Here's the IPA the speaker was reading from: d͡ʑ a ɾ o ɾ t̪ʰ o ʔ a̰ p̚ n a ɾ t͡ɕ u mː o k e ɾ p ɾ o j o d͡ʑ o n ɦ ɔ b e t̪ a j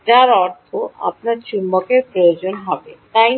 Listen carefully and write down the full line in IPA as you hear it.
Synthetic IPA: d͡ʑ a ɾ ɔ ɾ t̪ʰ o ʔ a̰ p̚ n a ɾ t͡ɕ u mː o k e ɾ p ɾ o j o d͡ʑ o n ɦ ɔ b e t̪ a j